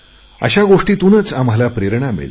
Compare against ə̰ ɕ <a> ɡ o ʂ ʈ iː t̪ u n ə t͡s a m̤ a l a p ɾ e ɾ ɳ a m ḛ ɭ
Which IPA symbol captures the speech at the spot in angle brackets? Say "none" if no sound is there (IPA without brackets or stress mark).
a